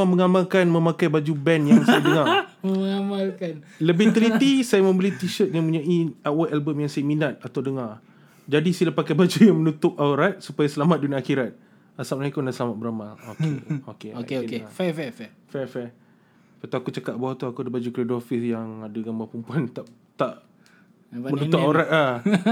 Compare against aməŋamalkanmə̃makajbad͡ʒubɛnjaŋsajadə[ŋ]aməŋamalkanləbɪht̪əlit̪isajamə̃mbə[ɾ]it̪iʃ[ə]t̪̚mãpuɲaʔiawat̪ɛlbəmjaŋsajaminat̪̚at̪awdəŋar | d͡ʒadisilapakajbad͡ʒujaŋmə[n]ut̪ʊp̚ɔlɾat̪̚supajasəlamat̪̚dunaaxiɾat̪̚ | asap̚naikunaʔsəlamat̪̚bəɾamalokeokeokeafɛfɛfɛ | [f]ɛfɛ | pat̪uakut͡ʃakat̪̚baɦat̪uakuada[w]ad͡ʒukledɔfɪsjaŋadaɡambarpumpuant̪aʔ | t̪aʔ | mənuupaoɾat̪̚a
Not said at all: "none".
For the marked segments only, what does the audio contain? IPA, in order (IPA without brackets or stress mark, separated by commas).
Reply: ŋ, l, ə, n, f, b